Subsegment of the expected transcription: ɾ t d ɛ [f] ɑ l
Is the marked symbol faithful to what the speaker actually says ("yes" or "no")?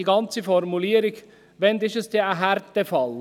yes